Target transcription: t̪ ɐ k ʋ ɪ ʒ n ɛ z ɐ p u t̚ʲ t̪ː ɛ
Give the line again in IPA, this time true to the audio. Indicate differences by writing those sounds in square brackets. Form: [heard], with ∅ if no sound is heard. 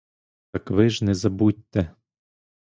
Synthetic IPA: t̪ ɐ k ʋ ɪ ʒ n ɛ z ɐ [b] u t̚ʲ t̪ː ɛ